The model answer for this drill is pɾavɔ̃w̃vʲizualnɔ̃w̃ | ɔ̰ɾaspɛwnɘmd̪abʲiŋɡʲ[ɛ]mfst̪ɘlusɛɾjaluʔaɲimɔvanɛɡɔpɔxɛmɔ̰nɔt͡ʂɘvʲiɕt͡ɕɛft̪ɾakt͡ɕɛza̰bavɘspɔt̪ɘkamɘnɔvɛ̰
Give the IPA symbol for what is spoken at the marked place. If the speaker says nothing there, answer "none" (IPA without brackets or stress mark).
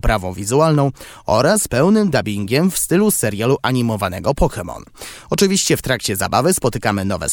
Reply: ɛ